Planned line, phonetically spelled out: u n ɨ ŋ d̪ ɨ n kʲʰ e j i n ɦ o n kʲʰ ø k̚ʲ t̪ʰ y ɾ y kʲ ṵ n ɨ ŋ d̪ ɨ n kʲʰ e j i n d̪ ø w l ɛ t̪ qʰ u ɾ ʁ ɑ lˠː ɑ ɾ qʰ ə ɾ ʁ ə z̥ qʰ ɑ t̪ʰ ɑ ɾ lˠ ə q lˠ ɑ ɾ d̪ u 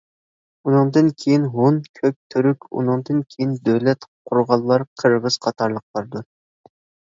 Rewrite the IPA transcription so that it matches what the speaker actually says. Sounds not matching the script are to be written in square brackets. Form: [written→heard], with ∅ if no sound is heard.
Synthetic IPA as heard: u n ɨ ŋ d̪ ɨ n kʲʰ e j i n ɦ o n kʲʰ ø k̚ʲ t̪ʰ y ɾ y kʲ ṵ n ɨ ŋ d̪ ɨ n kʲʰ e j i n d̪ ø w l ɛ t̪ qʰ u ɾ ʁ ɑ lˠː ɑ ɾ qʰ ə ɾ ʁ ə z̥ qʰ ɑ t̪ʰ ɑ ɾ lˠ ə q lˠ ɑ ɾ d̪ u